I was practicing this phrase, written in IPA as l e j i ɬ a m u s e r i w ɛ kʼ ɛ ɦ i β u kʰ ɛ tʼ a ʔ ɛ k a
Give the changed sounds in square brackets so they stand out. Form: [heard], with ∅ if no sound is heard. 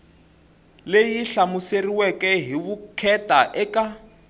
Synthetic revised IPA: l e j i ɬ a m u s e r i w ɛ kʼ ɛ ɦ i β u kʰ ɛ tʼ a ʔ ɛ k a